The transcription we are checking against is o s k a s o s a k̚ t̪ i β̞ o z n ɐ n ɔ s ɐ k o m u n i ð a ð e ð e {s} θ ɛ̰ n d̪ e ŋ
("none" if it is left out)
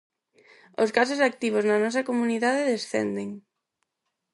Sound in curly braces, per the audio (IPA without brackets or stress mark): s